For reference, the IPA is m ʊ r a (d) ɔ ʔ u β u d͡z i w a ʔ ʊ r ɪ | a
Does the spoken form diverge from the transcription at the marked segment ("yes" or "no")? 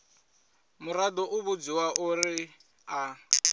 no